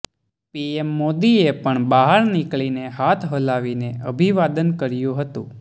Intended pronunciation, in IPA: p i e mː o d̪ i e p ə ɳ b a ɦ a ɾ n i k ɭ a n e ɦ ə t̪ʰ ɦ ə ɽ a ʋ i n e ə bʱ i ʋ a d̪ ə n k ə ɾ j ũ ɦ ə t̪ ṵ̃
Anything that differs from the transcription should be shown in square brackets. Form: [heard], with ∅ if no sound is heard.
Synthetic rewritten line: p i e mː o d̪ i e p ə ɳ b a ɦ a ɾ n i k ɭ [i] n e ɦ [a] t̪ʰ ɦ ə [l] a ʋ i n e ə bʱ i ʋ a d̪ ə n k ə ɾ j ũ ɦ ə t̪ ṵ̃